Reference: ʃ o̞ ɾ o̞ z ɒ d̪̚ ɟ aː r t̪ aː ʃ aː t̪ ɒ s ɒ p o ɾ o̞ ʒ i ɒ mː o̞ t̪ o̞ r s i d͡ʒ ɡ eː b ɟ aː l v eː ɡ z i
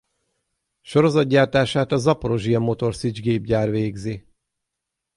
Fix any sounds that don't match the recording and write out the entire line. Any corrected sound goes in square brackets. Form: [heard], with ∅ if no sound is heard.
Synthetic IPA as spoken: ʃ o̞ ɾ o̞ z ɒ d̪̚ ɟ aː r t̪ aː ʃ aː t̪ ɒ [z] ɒ p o ɾ o̞ ʒ i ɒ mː o̞ t̪ o̞ r s i d͡ʒ ɡ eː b ɟ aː [r] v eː ɡ z i